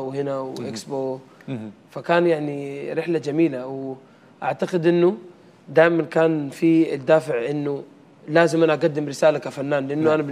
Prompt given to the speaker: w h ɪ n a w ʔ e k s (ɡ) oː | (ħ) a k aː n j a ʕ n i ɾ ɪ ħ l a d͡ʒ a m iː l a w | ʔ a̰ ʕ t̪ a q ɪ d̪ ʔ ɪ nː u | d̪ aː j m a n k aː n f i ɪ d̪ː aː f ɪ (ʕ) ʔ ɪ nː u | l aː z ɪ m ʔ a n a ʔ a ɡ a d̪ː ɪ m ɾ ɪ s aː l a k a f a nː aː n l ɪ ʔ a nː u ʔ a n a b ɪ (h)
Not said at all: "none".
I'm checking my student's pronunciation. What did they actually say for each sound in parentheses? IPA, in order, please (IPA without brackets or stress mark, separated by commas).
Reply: b, f, ʕ, none